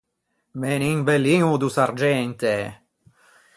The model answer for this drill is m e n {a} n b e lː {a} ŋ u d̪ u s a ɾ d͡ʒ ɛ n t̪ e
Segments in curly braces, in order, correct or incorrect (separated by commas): incorrect, incorrect